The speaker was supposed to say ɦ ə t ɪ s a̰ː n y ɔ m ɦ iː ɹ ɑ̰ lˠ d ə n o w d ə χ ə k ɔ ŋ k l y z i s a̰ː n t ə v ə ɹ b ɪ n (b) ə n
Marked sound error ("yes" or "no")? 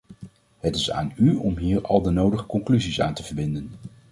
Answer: yes